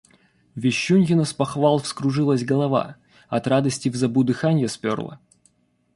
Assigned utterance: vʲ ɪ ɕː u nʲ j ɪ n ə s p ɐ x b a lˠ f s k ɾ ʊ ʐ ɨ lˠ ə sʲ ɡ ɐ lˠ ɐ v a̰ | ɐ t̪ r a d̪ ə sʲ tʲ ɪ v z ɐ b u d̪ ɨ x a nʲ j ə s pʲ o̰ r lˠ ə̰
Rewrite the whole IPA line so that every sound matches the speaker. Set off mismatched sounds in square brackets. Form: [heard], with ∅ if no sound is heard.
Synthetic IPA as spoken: vʲ ɪ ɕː u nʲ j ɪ n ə s p ɐ x [v] a lˠ f s k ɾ ʊ ʐ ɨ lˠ ə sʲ ɡ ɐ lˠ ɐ v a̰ | ɐ t̪ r a d̪ ə sʲ tʲ ɪ v z ɐ b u d̪ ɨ x a nʲ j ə s pʲ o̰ r lˠ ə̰